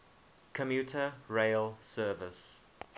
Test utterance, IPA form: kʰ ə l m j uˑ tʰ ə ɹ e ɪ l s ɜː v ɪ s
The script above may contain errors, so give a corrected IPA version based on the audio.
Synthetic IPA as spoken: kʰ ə m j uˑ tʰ ə ɹ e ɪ l s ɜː v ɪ s